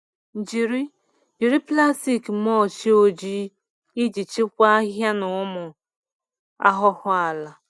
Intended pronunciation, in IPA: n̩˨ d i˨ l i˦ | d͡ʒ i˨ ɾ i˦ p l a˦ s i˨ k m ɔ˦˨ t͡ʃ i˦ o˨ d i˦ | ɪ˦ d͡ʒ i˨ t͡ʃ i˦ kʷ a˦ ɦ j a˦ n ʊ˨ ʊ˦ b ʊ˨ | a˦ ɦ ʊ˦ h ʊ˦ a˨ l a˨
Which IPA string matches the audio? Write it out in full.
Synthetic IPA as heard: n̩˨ d͡ʒ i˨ ɾ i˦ | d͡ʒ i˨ ɾ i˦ p l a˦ s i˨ k m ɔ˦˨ t͡ʃ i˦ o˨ d͡ʒ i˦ | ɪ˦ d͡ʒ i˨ t͡ʃ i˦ kʷ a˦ ɦ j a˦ n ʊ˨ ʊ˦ m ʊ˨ | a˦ ɦ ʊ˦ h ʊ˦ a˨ l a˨